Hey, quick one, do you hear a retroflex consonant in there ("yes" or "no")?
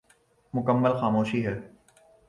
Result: no